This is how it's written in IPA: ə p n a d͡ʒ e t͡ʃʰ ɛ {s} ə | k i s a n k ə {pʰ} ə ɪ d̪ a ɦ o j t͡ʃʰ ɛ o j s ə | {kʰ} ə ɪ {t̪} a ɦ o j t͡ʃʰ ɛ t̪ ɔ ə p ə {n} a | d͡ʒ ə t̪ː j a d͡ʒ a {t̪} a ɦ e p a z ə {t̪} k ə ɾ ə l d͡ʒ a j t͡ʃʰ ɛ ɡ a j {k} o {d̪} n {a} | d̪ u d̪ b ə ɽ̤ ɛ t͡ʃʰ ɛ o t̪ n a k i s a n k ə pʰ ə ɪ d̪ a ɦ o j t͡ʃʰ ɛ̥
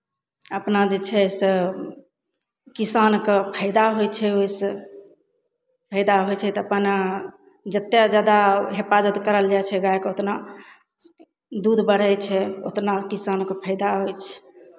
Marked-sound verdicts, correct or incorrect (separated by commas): correct, correct, incorrect, incorrect, correct, incorrect, correct, correct, incorrect, correct